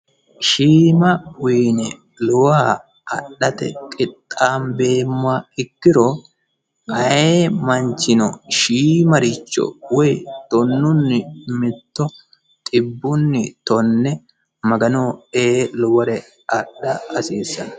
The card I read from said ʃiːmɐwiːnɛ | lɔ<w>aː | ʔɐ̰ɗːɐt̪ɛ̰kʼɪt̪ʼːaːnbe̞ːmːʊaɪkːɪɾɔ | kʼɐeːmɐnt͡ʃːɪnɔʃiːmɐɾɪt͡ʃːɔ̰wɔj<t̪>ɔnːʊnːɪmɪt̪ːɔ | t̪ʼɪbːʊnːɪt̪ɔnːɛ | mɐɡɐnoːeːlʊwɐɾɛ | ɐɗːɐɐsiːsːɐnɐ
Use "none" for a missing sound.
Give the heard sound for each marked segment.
w, t̪

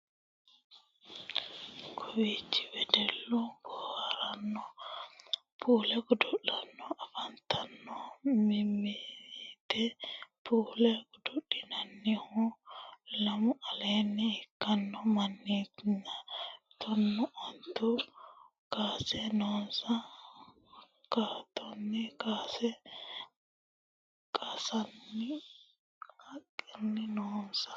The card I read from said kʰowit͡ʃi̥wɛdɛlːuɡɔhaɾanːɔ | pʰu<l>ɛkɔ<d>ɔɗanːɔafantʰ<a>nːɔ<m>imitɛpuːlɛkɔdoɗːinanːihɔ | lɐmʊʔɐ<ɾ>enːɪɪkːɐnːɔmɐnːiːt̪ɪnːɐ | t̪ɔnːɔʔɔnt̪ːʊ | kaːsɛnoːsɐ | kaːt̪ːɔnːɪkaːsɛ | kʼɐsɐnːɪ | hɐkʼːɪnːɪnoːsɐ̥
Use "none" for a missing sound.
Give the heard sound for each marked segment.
l, d, a, m, l

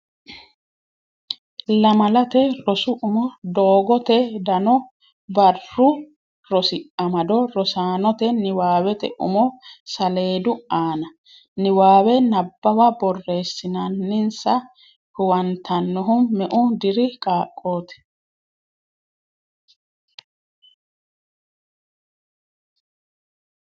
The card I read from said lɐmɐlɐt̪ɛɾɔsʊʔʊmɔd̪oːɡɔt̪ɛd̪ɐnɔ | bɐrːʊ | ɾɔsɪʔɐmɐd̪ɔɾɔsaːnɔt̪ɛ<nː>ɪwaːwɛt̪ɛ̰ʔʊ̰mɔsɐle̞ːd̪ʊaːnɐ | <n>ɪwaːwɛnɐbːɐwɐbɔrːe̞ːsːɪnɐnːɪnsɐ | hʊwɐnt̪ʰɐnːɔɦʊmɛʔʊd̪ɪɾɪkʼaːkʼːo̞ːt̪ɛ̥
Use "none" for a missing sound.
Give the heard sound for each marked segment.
n, n

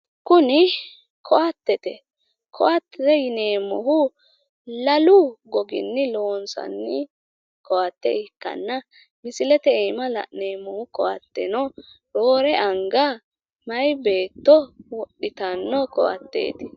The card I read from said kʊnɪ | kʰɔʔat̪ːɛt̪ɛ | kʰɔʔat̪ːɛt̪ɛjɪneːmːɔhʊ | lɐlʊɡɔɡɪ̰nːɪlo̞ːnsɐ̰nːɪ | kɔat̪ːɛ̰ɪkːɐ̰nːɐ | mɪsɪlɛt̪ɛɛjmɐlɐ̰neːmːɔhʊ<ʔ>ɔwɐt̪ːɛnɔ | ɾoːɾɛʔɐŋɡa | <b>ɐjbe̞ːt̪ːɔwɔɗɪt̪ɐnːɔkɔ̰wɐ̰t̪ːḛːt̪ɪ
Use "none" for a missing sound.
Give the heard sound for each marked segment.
k, m

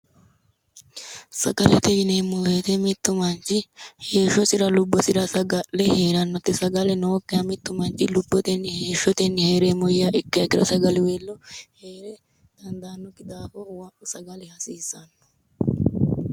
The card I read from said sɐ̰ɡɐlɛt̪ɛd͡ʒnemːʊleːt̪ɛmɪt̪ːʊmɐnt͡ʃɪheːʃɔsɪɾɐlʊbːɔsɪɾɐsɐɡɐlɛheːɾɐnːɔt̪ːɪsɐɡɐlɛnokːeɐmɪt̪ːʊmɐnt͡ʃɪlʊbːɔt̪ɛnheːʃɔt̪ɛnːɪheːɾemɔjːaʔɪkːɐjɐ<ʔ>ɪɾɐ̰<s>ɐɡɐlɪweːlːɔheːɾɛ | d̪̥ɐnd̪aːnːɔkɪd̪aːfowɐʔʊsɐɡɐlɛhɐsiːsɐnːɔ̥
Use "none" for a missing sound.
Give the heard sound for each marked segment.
k, s

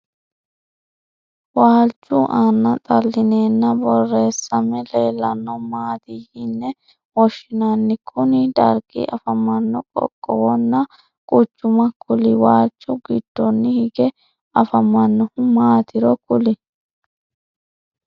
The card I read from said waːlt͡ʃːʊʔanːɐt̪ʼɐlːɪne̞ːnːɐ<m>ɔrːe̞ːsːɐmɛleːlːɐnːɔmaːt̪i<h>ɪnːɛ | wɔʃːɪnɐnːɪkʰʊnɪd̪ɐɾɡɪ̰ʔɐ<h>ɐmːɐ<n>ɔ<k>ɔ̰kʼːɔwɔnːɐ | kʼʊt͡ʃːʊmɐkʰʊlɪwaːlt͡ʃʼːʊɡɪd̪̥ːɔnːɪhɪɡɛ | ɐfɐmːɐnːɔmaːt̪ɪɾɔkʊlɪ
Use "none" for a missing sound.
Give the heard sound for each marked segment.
b, h, f, nː, kʼ

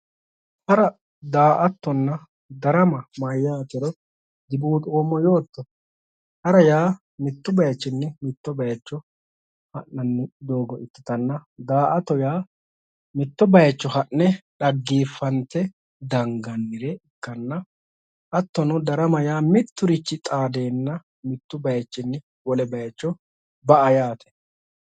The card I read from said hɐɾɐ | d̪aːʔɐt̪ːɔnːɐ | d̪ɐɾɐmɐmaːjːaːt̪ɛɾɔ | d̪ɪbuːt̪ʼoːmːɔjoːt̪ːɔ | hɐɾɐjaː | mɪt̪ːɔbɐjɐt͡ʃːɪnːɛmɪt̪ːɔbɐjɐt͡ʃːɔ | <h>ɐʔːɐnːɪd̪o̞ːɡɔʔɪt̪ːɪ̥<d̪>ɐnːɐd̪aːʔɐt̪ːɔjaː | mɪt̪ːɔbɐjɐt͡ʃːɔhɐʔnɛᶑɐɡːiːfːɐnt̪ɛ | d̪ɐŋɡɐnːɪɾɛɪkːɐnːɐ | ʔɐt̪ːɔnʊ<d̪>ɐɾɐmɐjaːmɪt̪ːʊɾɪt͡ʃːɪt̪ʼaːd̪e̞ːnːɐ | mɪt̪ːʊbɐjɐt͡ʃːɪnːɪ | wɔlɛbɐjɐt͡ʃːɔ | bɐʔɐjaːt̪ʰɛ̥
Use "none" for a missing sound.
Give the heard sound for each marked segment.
h, t̪, d̪

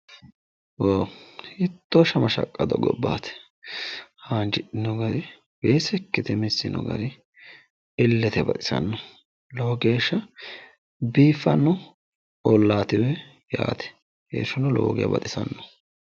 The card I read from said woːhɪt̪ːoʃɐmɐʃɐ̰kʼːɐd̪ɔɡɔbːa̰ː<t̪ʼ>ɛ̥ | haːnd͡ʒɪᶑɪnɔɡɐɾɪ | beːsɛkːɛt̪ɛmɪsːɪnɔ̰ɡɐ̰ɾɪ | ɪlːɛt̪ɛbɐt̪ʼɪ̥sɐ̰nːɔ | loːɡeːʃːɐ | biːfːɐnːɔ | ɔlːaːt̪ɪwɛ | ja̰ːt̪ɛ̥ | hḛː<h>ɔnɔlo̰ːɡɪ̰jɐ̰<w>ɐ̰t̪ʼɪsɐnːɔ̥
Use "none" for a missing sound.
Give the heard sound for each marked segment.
t̪, ʃ, b

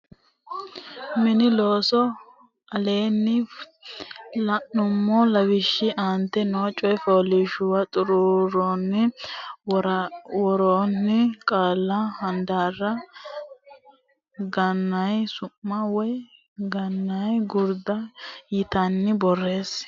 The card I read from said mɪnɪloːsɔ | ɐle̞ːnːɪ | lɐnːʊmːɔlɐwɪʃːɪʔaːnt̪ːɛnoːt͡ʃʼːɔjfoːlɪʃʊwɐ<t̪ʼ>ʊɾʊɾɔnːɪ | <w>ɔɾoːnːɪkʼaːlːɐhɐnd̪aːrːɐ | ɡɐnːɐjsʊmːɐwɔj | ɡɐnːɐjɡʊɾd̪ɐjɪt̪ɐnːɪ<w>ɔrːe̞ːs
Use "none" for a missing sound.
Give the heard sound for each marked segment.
t̪ʼ, w, b

